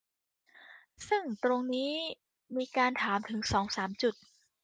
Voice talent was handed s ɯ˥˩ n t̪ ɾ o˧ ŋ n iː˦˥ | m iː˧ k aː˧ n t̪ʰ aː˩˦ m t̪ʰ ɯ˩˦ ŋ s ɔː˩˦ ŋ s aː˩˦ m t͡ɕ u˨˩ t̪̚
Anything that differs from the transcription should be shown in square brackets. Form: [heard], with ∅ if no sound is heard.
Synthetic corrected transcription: s ɯ˥˩ [ŋ] t̪ ɾ o˧ ŋ n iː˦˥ | m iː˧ k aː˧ n t̪ʰ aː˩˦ m t̪ʰ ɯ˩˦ ŋ s ɔː˩˦ ŋ s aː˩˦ m t͡ɕ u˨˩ t̪̚